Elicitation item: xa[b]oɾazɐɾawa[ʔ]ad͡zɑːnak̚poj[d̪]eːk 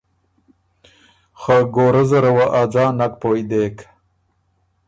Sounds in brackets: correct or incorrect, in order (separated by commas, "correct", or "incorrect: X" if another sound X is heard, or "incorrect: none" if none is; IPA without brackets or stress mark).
incorrect: ɡ, correct, correct